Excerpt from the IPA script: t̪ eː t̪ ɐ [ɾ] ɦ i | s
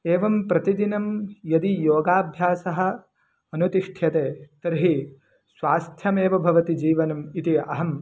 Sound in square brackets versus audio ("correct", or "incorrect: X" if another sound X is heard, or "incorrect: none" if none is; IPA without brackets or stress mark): correct